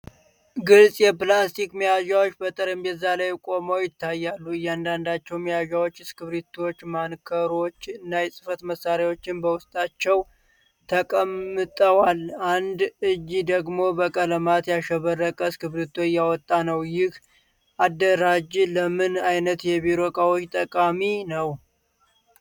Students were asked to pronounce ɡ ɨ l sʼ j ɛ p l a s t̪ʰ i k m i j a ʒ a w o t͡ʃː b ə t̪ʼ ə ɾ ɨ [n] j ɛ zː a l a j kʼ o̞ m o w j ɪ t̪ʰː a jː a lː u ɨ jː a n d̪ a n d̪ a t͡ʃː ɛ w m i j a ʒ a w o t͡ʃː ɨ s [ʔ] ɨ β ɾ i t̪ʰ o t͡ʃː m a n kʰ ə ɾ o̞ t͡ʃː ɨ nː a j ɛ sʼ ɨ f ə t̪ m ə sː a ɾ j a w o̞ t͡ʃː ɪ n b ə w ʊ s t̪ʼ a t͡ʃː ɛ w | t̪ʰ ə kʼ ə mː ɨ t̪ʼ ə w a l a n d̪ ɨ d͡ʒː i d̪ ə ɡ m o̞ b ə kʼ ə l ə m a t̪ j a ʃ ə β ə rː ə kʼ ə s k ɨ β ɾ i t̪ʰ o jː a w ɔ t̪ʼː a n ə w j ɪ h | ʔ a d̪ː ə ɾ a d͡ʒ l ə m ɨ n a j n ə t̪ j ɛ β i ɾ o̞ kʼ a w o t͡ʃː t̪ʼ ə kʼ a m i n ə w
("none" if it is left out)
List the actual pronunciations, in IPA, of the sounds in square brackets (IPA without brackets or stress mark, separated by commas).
m, k